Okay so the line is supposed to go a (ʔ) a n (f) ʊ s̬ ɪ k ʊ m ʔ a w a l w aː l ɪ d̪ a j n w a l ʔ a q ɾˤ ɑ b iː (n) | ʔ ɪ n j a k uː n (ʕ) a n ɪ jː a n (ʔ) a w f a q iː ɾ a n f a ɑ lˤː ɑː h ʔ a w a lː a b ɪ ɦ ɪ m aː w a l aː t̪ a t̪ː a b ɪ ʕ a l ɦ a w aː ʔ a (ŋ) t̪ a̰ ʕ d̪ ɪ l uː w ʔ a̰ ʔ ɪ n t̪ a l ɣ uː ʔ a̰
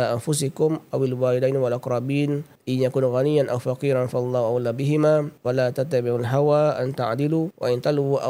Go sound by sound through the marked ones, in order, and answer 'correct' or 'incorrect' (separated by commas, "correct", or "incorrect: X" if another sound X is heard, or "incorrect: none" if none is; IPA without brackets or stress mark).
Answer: correct, correct, correct, incorrect: ɣ, correct, incorrect: n